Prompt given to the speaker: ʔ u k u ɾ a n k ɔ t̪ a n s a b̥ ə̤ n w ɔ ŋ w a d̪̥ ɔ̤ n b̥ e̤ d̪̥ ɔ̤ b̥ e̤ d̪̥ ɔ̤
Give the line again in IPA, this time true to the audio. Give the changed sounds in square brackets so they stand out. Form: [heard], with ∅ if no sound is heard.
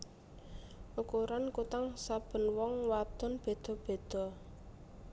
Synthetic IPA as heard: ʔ u k u ɾ a n k [u] t̪ a [ŋ] s a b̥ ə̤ n w ɔ ŋ w a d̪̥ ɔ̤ n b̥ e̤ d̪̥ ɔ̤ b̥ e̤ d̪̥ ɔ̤

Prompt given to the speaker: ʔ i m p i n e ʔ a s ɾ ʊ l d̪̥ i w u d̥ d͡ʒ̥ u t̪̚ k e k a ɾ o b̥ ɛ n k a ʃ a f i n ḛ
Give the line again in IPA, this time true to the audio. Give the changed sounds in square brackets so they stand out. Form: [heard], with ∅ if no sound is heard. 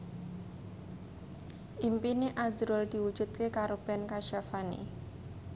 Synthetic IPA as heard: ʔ i m p i n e ʔ a [z] ɾ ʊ l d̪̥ i w u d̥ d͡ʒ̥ u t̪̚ k e k a ɾ o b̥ ɛ n k a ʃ a f [a] n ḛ

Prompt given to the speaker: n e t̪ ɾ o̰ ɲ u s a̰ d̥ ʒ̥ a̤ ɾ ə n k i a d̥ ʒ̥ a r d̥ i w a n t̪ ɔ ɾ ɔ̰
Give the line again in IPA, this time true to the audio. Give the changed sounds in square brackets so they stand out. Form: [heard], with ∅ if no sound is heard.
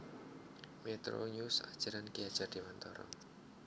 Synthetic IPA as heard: [m] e t̪ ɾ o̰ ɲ u s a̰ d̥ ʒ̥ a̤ ɾ [a] n k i a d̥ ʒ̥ a r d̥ i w a n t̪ ɔ ɾ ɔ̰

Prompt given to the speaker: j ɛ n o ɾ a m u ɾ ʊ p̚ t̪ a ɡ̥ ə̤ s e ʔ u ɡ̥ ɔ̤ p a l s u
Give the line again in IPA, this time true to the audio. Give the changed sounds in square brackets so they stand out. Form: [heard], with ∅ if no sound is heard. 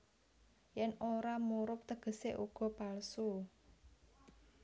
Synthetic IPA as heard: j ɛ n o ɾ a m u ɾ ʊ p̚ t̪ [ə] ɡ̥ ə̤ s e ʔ u ɡ̥ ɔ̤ p a l s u

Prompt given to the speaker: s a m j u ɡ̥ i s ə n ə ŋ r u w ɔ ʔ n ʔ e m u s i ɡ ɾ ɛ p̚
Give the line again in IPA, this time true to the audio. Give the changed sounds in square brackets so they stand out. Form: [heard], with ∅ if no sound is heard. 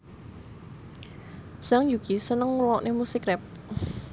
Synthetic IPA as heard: s a [ŋ] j u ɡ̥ i s ə n ə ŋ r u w ɔ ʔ n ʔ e m u s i [k] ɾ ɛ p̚

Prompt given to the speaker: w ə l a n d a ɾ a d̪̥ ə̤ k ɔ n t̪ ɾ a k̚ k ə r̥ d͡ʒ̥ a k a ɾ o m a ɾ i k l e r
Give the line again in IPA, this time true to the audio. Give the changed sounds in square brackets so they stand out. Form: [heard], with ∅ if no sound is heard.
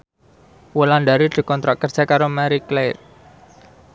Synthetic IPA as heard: w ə l a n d a ɾ [i] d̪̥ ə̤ k ɔ n t̪ ɾ a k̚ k ə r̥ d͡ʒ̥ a k a ɾ o m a ɾ i k l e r

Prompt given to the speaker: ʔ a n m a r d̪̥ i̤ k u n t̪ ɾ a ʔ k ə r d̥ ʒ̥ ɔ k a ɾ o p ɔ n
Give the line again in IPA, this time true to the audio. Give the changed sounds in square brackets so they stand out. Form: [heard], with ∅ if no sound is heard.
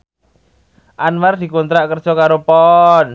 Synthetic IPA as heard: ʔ a n m a r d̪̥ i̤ k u n t̪ ɾ a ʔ k ə r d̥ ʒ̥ ɔ k a ɾ o p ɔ n

